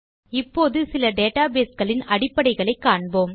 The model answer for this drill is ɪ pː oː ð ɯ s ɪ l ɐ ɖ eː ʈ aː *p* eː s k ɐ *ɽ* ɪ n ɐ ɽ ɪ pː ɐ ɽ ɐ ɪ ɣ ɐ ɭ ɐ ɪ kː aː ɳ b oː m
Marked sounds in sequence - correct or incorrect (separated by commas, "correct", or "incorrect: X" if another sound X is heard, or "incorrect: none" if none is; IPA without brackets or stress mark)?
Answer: incorrect: b, incorrect: ɭ